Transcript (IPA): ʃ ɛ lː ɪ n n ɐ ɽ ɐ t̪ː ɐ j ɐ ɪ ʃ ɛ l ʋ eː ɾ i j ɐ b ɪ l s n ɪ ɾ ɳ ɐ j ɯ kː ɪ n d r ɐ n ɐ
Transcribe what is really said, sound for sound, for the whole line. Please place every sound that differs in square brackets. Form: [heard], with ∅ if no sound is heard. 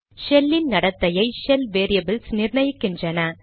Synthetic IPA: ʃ ɛ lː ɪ n n ɐ ɽ ɐ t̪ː ɐ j ɐ ɪ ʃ ɛ l ʋ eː ɾ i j ɐ b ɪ l s n ɪ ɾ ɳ ɐ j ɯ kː ɪ n d r ɐ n ɐ